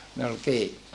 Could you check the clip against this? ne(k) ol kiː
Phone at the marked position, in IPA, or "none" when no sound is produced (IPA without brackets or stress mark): none